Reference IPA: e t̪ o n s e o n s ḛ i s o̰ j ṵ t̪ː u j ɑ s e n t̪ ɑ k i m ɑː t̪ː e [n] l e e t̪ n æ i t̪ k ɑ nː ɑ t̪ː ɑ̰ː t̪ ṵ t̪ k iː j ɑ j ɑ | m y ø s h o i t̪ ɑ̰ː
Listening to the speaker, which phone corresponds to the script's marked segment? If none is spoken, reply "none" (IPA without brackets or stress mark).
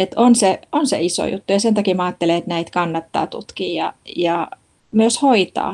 none